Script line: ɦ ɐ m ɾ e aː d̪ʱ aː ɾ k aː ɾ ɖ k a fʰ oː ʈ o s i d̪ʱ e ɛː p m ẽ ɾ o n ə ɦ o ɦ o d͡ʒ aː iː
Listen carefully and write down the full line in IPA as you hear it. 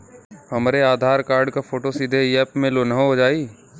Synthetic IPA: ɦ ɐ m ɾ e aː d̪ʱ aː ɾ k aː ɾ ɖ k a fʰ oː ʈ o s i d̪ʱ e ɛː p m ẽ l o n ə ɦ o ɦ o d͡ʒ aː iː